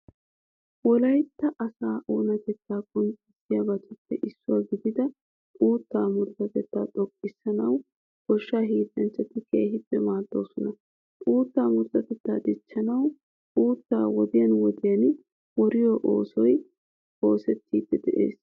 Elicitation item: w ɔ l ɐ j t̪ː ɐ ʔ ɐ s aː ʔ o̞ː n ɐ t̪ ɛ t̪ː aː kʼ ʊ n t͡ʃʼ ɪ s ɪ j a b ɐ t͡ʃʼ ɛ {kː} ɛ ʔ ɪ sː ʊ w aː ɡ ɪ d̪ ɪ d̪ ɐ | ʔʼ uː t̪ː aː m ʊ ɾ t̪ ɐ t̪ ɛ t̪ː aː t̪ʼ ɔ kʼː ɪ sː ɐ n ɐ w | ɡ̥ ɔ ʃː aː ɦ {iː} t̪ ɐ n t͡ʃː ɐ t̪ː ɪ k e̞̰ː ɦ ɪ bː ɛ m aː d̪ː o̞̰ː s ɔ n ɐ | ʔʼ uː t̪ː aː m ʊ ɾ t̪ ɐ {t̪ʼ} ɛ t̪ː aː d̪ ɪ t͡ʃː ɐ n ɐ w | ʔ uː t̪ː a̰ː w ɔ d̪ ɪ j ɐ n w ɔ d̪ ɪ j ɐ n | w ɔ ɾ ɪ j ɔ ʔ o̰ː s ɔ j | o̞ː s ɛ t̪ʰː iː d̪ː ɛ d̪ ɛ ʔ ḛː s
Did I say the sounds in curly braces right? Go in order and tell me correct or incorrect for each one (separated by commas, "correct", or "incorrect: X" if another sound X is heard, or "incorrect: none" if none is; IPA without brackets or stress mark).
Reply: incorrect: pː, correct, incorrect: t̪